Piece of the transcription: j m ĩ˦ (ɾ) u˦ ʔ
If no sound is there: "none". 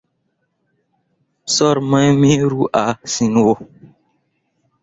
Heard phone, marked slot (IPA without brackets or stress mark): ɾ